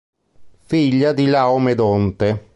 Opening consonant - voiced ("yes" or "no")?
no